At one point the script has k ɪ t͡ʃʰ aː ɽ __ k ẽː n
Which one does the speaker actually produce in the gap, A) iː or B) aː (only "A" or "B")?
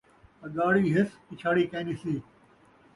A